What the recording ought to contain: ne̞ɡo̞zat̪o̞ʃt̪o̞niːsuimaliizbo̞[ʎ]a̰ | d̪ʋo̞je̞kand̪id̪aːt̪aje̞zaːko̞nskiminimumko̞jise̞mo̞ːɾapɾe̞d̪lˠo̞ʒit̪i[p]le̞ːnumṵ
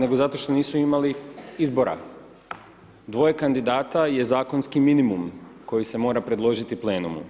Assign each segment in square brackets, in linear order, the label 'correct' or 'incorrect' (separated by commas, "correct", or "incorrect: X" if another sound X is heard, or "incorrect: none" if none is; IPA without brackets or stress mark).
incorrect: ɾ, correct